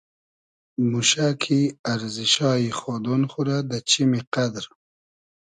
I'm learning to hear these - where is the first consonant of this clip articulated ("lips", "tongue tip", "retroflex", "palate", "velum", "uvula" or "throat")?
lips